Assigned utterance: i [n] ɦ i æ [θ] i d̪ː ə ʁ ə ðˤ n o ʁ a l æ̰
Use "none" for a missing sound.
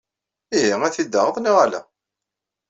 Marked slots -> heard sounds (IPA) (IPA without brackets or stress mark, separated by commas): none, θ